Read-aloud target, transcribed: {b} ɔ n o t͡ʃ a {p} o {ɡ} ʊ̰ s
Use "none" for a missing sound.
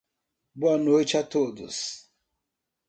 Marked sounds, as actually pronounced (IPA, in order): b, t, d

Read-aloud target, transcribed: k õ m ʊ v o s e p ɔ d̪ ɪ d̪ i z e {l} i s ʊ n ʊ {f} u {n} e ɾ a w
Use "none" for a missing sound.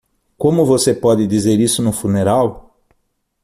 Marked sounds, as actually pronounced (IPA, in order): ɾ, f, n

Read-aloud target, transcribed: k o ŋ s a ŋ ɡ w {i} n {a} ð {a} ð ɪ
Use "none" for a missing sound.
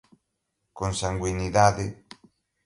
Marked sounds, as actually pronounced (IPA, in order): i, i, a

